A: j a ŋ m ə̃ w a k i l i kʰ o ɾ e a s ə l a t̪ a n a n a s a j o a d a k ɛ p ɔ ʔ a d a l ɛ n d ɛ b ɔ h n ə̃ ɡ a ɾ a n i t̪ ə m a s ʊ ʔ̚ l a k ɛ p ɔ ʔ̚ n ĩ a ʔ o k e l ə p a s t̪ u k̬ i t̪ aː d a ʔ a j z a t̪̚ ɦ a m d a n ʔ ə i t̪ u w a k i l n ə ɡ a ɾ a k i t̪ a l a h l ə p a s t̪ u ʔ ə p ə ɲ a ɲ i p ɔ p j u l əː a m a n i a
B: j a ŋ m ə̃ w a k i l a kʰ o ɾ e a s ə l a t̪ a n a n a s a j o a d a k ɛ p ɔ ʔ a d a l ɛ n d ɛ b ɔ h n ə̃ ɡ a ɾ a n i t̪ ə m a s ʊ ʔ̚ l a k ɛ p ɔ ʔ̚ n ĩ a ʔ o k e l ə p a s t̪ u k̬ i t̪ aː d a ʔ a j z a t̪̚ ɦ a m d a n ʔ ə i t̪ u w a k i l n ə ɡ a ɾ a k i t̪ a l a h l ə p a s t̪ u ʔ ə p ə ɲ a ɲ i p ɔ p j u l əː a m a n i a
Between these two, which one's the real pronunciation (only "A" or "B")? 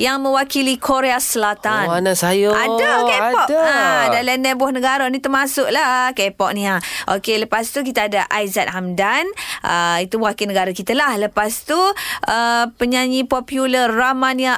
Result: A